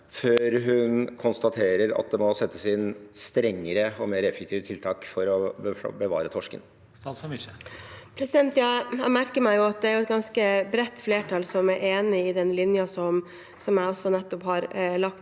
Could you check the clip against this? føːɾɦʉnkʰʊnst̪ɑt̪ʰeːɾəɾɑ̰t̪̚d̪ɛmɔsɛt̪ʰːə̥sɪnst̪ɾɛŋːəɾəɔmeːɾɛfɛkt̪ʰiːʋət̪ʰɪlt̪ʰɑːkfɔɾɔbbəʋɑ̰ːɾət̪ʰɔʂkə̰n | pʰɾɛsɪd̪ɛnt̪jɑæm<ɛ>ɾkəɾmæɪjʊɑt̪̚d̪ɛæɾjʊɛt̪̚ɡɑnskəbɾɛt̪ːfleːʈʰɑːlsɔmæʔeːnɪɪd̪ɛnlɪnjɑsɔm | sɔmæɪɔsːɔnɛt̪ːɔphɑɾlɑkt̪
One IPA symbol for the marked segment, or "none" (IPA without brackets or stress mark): æ